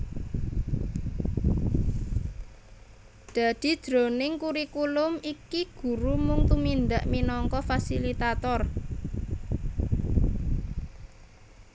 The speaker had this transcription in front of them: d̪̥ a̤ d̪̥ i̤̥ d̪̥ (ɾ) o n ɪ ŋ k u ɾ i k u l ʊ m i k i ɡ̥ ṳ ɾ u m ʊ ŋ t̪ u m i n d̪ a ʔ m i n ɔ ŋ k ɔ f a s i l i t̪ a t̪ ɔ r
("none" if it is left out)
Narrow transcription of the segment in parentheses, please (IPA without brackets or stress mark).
ɾ